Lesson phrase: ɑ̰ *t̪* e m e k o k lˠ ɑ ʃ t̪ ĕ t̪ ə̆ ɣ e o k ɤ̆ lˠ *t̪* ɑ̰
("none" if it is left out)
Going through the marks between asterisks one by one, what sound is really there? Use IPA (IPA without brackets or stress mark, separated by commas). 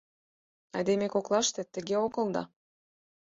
d̪, d̪